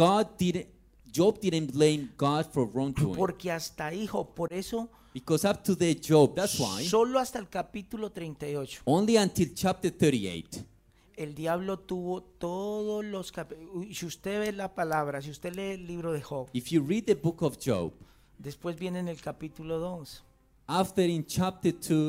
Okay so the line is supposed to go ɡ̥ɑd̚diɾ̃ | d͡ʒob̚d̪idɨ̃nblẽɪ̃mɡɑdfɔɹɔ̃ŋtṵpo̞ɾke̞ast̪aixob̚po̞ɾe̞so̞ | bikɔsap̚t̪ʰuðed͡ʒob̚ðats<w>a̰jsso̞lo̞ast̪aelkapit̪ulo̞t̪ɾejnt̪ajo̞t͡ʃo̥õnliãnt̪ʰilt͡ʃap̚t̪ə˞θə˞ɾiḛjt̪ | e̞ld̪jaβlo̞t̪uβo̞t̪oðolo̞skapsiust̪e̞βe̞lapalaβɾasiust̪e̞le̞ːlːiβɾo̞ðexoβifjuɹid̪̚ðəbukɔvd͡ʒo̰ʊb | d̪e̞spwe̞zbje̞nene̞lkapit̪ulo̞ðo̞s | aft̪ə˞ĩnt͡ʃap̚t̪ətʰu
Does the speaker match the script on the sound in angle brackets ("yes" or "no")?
yes